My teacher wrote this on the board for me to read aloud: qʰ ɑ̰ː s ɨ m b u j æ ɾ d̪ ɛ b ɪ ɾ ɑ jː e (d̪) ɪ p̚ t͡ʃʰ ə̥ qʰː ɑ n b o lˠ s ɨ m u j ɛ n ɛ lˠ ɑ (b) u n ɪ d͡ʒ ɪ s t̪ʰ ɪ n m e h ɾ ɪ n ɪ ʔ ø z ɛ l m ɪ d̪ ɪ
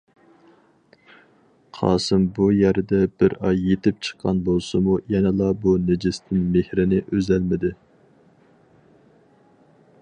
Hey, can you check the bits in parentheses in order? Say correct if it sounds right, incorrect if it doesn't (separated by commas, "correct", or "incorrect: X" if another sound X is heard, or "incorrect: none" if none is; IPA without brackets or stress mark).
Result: incorrect: t̪, correct